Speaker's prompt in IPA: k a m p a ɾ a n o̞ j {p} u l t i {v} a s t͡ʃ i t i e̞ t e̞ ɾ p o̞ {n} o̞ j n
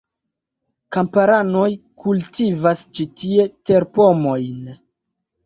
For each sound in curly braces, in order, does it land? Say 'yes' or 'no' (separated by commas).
no, yes, no